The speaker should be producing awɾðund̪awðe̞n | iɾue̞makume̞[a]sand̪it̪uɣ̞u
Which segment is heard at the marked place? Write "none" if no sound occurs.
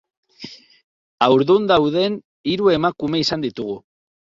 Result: i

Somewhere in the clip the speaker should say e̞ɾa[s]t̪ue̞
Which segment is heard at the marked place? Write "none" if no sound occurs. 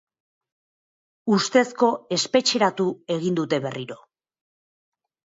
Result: none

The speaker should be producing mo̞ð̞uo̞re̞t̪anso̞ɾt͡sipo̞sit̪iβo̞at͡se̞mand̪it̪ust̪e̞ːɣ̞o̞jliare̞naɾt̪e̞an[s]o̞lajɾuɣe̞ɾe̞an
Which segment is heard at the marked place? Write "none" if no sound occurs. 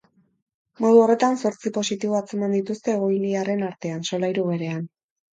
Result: s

